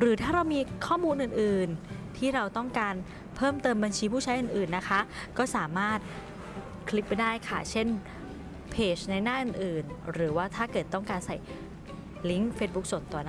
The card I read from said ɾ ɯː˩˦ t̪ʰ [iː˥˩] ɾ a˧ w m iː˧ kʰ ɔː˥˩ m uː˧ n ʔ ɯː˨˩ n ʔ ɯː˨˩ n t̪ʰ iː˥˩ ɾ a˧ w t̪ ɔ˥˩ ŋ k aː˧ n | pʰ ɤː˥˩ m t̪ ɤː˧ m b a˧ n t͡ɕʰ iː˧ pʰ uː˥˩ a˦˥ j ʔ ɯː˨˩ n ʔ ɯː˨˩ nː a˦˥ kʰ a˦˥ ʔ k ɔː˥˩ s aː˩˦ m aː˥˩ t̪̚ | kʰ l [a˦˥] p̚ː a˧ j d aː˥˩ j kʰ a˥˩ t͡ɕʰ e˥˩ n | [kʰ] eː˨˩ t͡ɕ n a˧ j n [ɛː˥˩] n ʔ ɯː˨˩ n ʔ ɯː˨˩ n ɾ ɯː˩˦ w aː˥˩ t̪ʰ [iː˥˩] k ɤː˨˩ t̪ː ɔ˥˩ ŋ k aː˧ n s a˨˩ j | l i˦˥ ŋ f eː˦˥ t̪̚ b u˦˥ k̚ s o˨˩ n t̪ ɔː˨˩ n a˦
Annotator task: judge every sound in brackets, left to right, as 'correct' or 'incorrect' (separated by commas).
incorrect, incorrect, incorrect, incorrect, incorrect